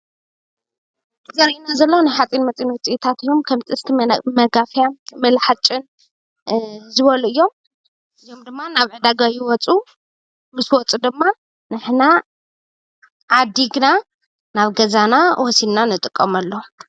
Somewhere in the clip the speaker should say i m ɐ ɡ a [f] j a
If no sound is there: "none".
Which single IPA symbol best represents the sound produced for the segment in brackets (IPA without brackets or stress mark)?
f